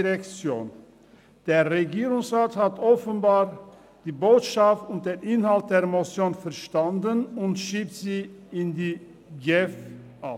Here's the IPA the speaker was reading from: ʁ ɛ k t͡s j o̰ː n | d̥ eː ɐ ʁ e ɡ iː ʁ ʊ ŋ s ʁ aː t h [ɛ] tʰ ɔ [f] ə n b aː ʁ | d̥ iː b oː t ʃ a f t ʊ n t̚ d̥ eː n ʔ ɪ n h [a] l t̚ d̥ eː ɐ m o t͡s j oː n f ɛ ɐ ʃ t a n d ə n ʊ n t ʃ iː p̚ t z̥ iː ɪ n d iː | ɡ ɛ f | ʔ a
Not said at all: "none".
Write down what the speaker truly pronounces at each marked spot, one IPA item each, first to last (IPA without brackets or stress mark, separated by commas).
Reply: a, f, a